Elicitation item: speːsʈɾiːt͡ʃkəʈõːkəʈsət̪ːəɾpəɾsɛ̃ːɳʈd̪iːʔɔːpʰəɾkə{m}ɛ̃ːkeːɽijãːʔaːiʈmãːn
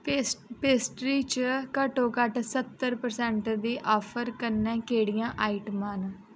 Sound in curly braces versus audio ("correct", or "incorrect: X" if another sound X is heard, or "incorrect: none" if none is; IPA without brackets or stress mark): incorrect: n